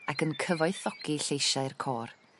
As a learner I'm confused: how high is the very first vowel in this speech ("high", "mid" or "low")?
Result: low